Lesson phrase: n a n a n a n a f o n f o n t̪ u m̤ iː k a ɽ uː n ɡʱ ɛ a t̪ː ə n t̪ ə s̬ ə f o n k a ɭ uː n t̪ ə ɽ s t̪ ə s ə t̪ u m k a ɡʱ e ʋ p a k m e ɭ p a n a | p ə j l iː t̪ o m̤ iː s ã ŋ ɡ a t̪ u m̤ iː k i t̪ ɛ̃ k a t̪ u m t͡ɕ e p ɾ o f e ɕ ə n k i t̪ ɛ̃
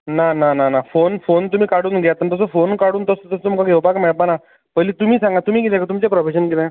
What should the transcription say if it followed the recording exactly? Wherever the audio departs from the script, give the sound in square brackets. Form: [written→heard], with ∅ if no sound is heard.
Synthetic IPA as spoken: n a n a n a n a f o n f o n t̪ u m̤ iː k a ɽ uː n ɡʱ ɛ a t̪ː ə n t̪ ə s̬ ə f o n k a [ɭ→ɽ] uː n t̪ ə [ɽ→∅] s t̪ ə s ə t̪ u m k a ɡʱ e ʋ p a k m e ɭ p a n a | p ə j l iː t̪ [o→u] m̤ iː s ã ŋ ɡ a t̪ u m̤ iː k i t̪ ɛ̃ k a t̪ u m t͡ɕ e p ɾ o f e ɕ ə n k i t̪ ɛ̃